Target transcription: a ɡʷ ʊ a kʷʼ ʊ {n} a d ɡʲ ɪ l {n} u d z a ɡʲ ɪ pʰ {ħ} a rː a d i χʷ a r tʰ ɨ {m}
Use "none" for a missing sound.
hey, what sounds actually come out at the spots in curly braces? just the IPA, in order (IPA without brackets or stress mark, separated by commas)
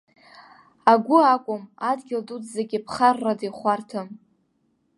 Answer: m, d, χ, m